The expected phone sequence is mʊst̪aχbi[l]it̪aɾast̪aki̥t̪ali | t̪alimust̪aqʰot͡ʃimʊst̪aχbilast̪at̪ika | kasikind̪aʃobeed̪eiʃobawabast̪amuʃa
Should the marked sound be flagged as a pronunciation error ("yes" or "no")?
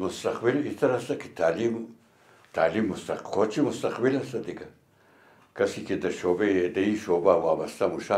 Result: no